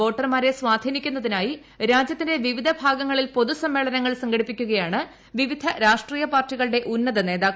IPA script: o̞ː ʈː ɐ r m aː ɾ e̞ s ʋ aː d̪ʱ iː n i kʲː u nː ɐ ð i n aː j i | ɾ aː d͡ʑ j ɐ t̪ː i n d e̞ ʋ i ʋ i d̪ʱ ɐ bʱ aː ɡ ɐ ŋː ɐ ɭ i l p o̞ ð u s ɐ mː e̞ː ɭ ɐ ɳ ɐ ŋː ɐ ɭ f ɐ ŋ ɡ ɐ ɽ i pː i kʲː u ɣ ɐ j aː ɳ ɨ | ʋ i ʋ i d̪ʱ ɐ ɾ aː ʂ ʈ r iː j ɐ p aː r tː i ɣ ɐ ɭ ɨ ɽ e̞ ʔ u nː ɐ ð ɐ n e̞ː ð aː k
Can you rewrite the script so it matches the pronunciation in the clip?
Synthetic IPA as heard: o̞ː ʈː ɐ r m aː ɾ e̞ s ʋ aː d̪ʱ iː n i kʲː u nː ɐ ð i n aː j i | ɾ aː d͡ʑ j ɐ t̪ː i n d e̞ ʋ i ʋ i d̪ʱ ɐ bʱ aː ɡ ɐ ŋː ɐ ɭ i l p o̞ ð u s ɐ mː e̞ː ɭ ɐ n ɐ ŋː ɐ ɭ s ɐ ŋ ɡ ɐ ɽ i pː i kʲː u ɣ ɐ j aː ɳ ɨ | ʋ i ʋ i d̪ʱ ɐ ɾ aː ʂ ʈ r iː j ɐ p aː r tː i ɣ ɐ ɭ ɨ ɽ e̞ ʔ u nː ɐ ð ɐ n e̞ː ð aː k